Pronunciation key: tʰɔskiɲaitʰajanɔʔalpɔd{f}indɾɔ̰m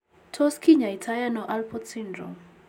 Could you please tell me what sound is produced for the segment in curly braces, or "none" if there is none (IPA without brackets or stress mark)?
s